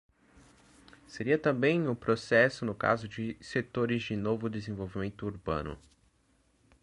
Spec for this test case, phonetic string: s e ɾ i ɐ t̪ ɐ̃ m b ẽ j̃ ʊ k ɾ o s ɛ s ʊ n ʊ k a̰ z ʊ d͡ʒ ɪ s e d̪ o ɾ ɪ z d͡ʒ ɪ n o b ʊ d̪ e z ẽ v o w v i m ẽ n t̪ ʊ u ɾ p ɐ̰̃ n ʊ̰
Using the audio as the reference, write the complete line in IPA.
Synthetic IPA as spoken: s e ɾ i ɐ t̪ ɐ̃ m b ẽ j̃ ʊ p ɾ o s ɛ s ʊ n ʊ k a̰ z ʊ d͡ʒ ɪ s e t̪ o ɾ ɪ z d͡ʒ ɪ n o v ʊ d̪ e z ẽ v o w v i m ẽ n t̪ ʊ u ɾ b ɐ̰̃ n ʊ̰